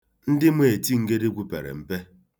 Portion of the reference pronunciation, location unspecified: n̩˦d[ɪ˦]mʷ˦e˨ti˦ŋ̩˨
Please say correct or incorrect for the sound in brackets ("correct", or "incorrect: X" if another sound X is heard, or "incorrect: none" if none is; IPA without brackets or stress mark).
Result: correct